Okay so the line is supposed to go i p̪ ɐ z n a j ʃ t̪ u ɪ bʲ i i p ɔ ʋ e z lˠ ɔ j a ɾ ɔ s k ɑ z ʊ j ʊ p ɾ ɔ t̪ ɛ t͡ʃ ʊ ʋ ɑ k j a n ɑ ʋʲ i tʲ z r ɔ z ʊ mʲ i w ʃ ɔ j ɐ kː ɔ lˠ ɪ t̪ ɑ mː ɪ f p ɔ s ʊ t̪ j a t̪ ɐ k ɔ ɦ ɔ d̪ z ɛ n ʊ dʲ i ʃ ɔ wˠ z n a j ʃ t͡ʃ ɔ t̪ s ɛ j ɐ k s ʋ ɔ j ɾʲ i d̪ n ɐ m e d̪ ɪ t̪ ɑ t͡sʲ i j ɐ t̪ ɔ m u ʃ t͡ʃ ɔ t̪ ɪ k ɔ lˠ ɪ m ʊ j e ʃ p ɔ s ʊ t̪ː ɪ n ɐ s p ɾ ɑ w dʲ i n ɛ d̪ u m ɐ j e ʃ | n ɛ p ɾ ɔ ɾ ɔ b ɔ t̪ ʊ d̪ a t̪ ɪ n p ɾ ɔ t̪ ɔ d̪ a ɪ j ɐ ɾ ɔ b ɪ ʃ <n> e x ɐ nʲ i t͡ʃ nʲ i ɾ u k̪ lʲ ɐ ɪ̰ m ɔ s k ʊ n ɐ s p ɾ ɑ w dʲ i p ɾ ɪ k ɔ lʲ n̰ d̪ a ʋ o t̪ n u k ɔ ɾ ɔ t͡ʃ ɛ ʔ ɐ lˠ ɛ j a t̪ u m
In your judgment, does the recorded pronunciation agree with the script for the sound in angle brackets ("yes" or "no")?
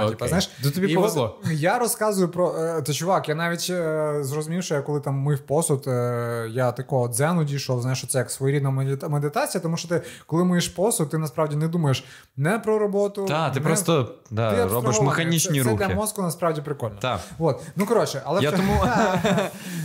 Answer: no